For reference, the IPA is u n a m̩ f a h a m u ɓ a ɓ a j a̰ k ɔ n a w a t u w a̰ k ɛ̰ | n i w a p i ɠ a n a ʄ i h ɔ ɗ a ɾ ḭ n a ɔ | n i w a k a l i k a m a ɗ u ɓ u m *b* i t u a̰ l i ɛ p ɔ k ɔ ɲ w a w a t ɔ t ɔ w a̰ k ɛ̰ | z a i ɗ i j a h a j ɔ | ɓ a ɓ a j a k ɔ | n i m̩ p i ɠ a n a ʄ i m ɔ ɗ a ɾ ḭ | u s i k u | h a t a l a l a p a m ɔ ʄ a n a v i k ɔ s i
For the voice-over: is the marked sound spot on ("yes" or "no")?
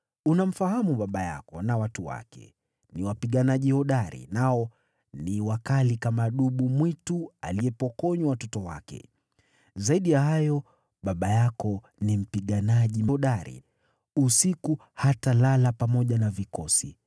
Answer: no